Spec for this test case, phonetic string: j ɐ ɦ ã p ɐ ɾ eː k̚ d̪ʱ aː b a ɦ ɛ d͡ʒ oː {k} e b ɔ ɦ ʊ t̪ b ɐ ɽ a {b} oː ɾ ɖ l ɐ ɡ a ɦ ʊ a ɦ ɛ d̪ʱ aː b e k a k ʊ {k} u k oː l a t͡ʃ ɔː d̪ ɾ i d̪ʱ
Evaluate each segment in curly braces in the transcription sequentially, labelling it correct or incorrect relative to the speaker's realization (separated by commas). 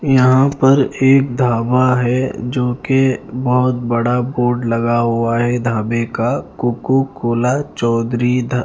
correct, correct, correct